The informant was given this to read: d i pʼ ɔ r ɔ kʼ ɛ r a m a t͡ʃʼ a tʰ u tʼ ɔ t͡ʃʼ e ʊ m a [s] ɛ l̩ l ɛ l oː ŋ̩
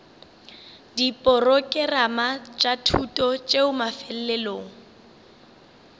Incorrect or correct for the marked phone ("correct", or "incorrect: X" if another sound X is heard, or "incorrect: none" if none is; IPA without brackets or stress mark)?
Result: incorrect: f